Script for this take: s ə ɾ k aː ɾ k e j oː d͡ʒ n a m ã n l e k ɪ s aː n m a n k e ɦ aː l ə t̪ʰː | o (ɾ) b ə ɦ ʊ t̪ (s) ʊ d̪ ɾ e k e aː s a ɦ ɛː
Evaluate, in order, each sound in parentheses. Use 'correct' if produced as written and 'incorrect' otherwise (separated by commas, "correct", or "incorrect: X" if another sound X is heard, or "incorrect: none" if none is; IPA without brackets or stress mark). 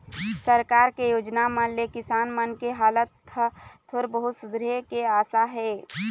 correct, correct